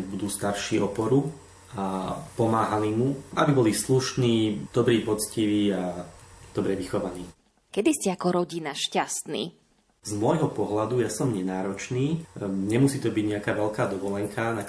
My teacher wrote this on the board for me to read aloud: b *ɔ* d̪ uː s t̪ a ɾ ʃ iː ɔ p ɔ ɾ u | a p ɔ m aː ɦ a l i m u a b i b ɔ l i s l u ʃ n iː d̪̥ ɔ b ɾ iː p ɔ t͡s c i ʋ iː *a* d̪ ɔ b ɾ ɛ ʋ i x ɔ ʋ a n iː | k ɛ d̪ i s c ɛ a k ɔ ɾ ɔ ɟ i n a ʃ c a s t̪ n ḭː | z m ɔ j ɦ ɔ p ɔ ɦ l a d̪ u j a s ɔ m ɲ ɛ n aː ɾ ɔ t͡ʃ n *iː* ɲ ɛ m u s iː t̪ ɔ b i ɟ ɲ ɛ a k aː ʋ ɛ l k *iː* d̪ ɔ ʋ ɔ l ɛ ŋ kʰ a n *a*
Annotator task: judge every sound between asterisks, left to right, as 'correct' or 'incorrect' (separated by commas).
incorrect, correct, correct, incorrect, correct